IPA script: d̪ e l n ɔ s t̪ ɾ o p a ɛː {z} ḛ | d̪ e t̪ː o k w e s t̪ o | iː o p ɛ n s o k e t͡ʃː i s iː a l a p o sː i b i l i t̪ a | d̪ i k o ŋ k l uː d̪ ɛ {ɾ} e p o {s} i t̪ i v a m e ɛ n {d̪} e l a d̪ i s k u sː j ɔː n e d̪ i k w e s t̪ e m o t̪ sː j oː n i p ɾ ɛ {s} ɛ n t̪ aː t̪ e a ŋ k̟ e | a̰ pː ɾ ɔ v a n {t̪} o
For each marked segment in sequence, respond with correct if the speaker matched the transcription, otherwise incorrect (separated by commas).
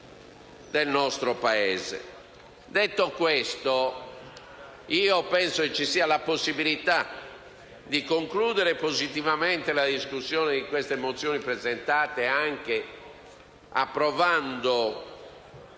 correct, correct, incorrect, incorrect, incorrect, incorrect